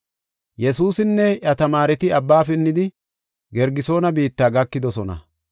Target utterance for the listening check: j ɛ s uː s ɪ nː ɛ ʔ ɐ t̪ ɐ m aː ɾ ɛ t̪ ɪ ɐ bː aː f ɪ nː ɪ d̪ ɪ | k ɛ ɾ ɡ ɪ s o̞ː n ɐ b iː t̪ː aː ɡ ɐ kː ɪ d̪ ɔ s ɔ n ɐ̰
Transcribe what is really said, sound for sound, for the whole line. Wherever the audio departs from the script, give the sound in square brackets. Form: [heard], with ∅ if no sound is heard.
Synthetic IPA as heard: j ɛ s uː s ɪ nː ɛ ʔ ɐ t̪ ɐ m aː ɾ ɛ t̪ ɪ ɐ bː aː f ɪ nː ɪ d̪ ɪ | [ɡ] ɛ ɾ ɡ ɪ s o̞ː n ɐ b iː t̪ː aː ɡ ɐ kː ɪ d̪ ɔ s ɔ n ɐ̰